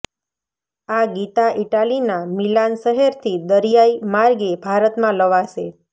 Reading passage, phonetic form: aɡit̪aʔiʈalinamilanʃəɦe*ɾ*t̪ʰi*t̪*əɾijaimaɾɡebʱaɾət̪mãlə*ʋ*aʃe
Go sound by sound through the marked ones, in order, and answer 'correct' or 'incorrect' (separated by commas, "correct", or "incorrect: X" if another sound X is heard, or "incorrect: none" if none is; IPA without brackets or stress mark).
correct, incorrect: d̪, correct